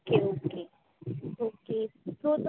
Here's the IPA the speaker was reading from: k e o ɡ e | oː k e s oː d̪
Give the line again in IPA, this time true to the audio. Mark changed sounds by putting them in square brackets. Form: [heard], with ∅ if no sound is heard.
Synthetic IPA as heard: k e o [k] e | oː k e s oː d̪